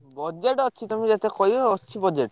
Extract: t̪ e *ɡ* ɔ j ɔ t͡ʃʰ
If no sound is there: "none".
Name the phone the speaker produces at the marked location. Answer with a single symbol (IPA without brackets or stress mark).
k